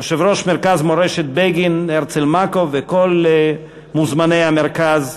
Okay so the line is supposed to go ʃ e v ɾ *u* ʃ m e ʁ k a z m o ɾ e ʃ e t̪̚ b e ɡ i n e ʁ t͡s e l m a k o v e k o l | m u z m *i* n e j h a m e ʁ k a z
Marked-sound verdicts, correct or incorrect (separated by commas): incorrect, incorrect